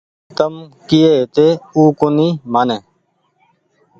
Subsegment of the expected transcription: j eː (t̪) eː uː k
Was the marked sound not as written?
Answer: no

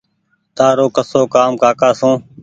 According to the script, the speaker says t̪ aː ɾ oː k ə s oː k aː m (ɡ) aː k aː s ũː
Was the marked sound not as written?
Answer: yes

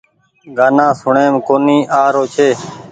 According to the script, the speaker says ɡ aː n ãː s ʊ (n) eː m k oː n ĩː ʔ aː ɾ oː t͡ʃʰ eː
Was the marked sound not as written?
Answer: yes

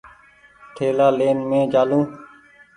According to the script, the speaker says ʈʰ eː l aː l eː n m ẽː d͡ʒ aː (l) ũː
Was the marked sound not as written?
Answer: no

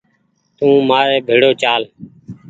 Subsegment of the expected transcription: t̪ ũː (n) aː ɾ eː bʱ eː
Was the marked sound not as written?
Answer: yes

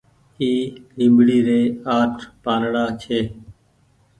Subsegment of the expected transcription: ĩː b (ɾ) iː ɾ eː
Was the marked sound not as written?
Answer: yes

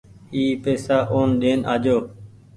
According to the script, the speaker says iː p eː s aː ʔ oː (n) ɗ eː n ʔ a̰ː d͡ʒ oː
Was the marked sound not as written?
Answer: no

